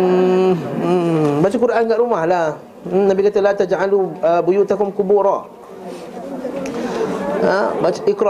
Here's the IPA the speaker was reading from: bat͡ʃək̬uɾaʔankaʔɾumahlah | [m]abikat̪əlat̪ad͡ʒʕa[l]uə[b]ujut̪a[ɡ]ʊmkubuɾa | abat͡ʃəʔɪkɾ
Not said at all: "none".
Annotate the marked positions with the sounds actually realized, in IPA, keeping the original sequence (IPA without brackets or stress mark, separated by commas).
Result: n, l, b, k